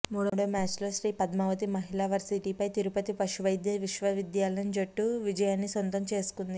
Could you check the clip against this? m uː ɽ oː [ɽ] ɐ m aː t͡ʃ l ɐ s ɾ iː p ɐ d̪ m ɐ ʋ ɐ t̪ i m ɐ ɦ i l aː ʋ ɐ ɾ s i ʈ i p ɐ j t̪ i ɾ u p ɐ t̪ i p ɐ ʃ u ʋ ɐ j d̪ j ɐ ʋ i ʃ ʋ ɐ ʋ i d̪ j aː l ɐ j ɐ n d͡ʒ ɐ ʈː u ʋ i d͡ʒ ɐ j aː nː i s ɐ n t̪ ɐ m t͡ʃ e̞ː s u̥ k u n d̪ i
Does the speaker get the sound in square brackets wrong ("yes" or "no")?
no